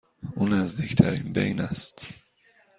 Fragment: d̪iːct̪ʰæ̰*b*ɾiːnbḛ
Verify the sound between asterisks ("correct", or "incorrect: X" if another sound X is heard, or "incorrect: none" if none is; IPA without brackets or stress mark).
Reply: incorrect: none